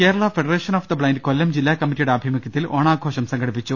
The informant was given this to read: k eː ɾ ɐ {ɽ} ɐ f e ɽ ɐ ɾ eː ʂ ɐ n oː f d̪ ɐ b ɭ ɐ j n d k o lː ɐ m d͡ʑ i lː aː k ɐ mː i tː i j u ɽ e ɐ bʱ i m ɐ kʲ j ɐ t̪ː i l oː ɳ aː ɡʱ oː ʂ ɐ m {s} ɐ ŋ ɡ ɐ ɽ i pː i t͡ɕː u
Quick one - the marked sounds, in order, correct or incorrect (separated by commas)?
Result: incorrect, correct